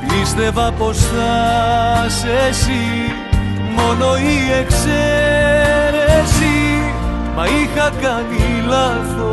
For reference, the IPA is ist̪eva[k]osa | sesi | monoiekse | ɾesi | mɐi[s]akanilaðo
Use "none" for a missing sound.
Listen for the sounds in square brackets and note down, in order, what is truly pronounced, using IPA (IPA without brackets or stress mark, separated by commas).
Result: p, x